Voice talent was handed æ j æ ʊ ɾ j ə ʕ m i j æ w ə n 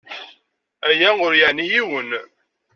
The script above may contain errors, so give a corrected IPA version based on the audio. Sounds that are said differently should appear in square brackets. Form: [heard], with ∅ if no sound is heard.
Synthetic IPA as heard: æ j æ ʊ ɾ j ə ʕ [n] i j [i] w ə n